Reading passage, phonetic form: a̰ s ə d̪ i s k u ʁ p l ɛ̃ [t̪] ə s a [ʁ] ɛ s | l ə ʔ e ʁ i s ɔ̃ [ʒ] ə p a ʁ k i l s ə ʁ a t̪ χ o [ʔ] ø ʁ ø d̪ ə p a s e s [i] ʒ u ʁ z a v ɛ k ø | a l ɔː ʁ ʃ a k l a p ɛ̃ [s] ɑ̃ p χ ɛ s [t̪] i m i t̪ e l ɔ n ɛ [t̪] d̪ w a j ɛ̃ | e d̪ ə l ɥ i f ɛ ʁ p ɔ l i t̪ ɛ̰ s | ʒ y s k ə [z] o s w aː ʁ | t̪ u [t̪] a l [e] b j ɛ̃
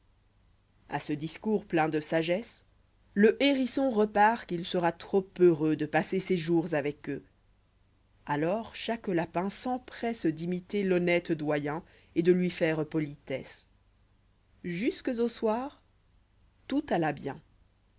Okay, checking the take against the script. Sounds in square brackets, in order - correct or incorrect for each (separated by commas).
incorrect, incorrect, incorrect, incorrect, incorrect, correct, incorrect, correct, correct, correct, incorrect